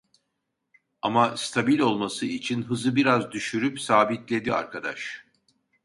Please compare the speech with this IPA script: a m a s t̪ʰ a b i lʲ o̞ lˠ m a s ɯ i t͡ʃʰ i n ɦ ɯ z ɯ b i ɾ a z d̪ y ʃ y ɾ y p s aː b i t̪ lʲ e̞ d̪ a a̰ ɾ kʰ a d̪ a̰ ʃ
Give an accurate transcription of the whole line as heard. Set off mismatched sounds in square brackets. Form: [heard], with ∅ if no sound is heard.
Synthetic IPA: a m a s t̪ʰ a b i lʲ o̞ lˠ m a s ɯ i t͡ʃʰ i n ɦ ɯ z ɯ b i ɾ a z d̪ y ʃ y ɾ y p s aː b i t̪ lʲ e̞ d̪ [i] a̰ ɾ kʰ a d̪ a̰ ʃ